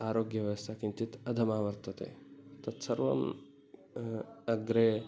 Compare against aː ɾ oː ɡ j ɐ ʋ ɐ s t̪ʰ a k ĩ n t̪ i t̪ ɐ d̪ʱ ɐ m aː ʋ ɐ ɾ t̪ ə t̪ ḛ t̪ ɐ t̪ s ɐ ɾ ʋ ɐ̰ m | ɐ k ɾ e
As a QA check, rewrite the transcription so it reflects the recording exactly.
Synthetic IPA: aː ɾ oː ɡ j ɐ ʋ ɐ s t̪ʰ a k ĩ n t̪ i t̪ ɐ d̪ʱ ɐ m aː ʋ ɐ ɾ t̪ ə t̪ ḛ t̪ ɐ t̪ s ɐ ɾ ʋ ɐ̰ m | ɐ ɡ ɾ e